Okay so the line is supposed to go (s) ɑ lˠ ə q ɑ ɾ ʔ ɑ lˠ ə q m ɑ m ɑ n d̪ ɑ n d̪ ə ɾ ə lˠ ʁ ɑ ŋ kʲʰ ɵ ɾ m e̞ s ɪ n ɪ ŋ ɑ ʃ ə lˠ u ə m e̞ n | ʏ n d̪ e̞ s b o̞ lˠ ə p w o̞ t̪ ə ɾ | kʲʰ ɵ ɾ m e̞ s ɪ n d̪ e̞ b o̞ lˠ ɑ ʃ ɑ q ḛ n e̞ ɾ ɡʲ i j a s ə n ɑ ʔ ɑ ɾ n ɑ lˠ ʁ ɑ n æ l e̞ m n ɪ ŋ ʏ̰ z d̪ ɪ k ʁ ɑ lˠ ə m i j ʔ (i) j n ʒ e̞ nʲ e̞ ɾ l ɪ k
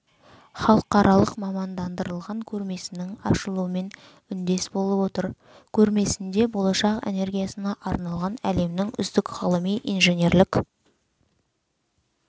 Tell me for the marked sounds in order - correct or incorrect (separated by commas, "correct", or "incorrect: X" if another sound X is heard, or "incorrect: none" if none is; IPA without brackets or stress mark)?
incorrect: χ, correct